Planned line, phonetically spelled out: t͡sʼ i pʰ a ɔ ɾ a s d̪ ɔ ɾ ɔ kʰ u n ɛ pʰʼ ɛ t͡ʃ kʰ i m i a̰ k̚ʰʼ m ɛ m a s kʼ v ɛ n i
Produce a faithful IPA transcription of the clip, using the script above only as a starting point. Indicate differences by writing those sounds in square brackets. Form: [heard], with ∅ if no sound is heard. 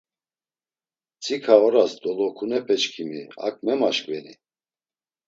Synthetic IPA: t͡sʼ i [kʰ] a ɔ ɾ a s d̪ ɔ [l] ɔ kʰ u n ɛ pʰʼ ɛ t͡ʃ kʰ i m i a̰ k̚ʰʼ m ɛ m a [ʃ] kʼ v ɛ n i

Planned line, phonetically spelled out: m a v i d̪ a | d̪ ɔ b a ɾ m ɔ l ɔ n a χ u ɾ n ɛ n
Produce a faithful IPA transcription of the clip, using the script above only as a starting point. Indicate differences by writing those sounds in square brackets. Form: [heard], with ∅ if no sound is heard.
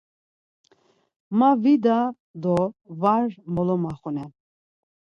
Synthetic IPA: m a v i d̪ a | d̪ ɔ [v] a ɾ m ɔ l ɔ [m] a χ u [∅] n ɛ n

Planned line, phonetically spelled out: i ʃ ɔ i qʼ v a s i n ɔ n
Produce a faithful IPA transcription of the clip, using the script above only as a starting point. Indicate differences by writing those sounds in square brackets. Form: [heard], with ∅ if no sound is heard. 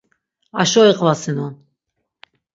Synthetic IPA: [a] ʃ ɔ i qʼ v a s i n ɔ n

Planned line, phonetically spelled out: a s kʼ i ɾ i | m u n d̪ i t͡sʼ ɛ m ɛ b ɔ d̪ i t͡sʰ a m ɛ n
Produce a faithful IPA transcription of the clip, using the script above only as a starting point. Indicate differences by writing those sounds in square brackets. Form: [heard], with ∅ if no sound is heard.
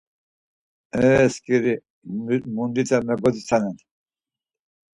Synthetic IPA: [ɛ] s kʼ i ɾ i | m u n d̪ i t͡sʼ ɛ m ɛ [ɡ] ɔ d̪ i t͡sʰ a [n] ɛ n

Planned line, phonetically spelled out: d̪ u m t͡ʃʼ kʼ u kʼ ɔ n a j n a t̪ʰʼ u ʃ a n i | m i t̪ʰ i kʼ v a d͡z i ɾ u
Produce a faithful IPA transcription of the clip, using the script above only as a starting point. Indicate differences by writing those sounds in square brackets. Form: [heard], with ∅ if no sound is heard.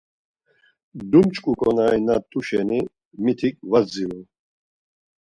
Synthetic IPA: d̪ u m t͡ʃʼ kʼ u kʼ ɔ n a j n a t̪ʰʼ u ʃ [ɛ] n i | m i t̪ʰ i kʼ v a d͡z i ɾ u

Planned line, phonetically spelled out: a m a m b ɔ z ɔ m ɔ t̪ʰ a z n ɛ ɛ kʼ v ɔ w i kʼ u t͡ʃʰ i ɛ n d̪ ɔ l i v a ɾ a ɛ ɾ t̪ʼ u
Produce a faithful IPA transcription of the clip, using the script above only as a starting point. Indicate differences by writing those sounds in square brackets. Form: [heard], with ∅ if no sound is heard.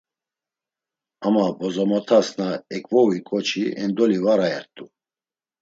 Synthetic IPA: a m a [∅] b ɔ z ɔ m ɔ t̪ʰ a [s] n [a] ɛ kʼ v ɔ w i kʼ [ɔ] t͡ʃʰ i ɛ n d̪ ɔ l i v a ɾ a ɛ ɾ t̪ʼ u

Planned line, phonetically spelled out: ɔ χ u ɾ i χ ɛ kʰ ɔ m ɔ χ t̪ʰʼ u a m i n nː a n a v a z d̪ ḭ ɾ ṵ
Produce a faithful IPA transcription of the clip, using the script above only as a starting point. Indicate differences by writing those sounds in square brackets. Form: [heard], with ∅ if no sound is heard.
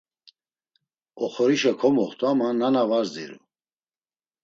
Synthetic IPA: ɔ χ [ɔ] ɾ i [ʃ] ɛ kʰ ɔ m ɔ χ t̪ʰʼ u a m [a] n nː a n a v a z d̪ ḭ ɾ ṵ

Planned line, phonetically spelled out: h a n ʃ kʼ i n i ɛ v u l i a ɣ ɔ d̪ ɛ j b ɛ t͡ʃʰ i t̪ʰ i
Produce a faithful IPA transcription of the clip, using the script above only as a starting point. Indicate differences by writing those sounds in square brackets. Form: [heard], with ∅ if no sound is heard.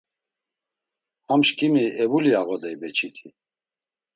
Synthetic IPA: h a [m] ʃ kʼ i [m] i ɛ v u l i a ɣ ɔ d̪ ɛ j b ɛ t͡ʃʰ i t̪ʰ i

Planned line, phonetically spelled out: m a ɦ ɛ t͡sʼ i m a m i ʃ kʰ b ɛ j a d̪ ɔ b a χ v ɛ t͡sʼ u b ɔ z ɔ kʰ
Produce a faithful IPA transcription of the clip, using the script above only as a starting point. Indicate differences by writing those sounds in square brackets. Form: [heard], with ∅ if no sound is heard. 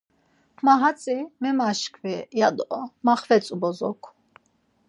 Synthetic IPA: m a ɦ [a] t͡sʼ i m [ɛ] m [a] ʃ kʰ [v] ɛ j a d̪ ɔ [m] a χ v ɛ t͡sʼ u b ɔ z ɔ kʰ

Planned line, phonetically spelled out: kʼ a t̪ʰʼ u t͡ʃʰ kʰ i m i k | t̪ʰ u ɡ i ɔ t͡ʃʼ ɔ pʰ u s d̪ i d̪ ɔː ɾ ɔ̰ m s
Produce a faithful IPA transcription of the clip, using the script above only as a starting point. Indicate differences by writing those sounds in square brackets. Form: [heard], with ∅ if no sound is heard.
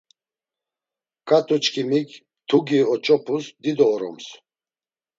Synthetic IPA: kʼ a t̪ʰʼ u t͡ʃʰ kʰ i m i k | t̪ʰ u ɡ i ɔ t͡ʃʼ ɔ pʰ u s d̪ i d̪ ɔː ɾ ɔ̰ m s

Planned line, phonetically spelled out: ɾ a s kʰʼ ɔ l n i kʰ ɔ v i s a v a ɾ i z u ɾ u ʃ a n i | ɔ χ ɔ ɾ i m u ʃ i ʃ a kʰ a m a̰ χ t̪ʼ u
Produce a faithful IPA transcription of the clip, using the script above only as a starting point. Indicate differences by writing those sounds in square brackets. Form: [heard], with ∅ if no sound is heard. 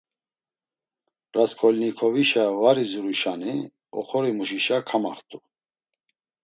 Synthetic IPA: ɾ a s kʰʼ ɔ l n i kʰ ɔ v i [ʃ] a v a ɾ i z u ɾ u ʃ a n i | ɔ χ ɔ ɾ i m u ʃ i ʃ a kʰ a m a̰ χ t̪ʼ u

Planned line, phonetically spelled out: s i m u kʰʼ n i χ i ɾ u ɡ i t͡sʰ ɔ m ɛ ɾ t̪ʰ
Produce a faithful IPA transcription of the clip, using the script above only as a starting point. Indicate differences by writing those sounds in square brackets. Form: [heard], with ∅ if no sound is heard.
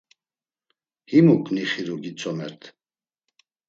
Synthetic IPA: [h] i m u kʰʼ n i χ i ɾ u ɡ i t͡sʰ ɔ m ɛ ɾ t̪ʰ

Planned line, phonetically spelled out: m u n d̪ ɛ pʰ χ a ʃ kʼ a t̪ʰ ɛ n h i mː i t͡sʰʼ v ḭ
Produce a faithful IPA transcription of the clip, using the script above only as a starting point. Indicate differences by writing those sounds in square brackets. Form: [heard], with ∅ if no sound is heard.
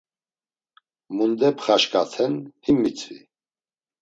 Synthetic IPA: m u n d̪ ɛ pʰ χ a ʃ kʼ a t̪ʰ ɛ n h i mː i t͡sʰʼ v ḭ

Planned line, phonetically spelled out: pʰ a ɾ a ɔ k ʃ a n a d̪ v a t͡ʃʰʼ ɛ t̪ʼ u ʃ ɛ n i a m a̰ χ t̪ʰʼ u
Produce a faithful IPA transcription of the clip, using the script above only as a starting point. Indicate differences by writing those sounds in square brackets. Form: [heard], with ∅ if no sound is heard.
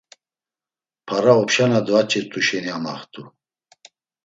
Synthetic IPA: pʰ a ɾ a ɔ [p] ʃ a n a d̪ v a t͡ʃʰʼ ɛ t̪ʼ u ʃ ɛ n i a m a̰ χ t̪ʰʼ u

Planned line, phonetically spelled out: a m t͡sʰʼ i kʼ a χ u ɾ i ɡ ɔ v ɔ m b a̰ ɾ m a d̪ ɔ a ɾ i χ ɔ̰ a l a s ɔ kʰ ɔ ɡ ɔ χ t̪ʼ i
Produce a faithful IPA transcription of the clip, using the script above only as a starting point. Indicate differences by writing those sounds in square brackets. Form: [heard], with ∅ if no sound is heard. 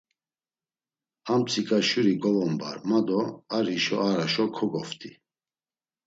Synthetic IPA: a m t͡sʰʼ i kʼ a [ʃ] u ɾ i ɡ ɔ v ɔ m b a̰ ɾ m a d̪ ɔ a ɾ i [ʃ] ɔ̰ a [ɾ] a [ʃ] ɔ kʰ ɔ ɡ ɔ [f] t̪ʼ i

